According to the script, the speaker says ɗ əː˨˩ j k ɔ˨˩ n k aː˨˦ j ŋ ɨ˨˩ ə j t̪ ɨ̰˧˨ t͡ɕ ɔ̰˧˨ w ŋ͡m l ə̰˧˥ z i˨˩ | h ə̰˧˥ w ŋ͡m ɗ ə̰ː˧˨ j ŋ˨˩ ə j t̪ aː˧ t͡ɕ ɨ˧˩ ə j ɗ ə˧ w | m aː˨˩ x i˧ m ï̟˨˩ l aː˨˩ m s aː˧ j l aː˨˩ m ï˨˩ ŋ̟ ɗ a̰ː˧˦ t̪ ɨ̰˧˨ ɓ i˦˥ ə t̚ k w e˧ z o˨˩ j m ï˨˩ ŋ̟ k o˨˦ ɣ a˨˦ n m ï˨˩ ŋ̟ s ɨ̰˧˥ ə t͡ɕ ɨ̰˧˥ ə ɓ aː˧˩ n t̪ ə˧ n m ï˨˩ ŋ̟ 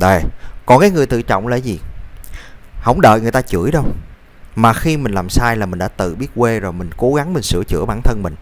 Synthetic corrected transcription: ɗ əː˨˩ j k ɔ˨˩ n k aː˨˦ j ŋ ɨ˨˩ ə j t̪ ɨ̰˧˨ t͡ɕ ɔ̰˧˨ w ŋ͡m l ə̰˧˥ z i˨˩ | h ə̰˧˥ w ŋ͡m ɗ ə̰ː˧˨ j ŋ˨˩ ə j t̪ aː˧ t͡ɕ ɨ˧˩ ə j ɗ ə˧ w | m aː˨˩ x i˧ m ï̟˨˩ l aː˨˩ m s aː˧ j l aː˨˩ m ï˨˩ ŋ̟ ɗ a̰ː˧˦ t̪ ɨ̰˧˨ ɓ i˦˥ ə t̚ k w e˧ z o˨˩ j m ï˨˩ ŋ̟ k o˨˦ ɣ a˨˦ ŋ m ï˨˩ ŋ̟ s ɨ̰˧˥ ə t͡ɕ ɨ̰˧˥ ə ɓ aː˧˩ n t̪ʰ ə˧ n m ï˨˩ ŋ̟

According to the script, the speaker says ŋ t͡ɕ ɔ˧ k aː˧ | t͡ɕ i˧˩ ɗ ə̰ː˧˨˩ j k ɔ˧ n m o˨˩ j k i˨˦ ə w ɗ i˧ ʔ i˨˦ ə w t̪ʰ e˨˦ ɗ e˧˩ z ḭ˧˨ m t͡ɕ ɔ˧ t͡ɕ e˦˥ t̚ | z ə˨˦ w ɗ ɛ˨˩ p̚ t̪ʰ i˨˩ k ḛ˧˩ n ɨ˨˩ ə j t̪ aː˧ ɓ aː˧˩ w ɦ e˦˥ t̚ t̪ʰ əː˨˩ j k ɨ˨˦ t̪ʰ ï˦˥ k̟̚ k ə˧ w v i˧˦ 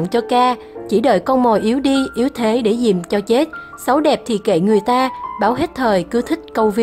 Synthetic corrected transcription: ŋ t͡ɕ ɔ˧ k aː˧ | t͡ɕ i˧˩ ɗ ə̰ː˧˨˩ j k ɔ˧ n m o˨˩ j ʔ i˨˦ ə w ɗ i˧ ʔ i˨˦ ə w t̪ʰ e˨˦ ɗ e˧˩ z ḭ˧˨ m t͡ɕ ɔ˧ t͡ɕ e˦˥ t̚ | s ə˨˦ w ɗ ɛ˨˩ p̚ t̪ʰ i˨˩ k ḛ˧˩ ŋ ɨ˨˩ ə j t̪ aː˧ ɓ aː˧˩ w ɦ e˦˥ t̚ t̪ʰ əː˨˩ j k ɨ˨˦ t̪ʰ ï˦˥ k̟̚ k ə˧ w v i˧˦

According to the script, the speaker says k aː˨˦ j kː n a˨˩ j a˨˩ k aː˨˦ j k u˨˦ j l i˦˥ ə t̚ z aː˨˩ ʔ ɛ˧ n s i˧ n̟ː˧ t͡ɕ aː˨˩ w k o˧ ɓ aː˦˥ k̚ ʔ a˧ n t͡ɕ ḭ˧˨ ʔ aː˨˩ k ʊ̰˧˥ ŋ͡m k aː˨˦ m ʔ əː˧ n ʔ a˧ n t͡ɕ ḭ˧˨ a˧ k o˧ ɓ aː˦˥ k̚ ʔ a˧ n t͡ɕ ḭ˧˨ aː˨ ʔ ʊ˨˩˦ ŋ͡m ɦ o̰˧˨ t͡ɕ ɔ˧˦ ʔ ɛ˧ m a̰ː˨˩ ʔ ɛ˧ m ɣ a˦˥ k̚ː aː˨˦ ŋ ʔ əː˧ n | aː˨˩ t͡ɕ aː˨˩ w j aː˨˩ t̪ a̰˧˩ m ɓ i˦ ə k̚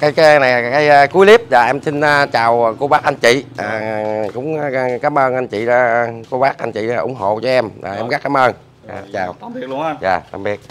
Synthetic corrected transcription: k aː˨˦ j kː n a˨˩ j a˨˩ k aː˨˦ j k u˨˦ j l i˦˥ ə p̚ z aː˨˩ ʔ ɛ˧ m s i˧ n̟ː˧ t͡ɕ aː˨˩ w k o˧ ɓ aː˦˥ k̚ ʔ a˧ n t͡ɕ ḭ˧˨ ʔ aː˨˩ k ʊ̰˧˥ ŋ͡m k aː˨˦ m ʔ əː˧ n ʔ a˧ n t͡ɕ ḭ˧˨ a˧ k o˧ ɓ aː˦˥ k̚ ʔ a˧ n t͡ɕ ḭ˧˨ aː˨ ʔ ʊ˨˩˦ ŋ͡m ɦ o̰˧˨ t͡ɕ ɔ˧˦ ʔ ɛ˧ m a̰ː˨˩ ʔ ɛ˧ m ɣ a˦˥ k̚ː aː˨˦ m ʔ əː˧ n | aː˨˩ t͡ɕ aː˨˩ w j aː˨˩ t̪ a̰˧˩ m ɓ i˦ ə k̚

